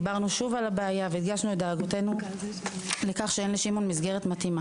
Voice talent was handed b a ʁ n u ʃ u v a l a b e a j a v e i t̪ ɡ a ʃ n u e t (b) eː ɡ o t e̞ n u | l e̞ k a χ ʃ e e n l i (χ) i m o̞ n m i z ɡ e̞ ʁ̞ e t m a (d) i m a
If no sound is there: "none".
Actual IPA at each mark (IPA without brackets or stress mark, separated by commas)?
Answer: d, ʃ, t